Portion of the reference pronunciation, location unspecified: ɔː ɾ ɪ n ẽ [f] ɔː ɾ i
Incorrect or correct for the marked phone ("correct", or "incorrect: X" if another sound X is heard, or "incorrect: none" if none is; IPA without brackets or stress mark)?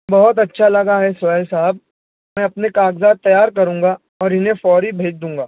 correct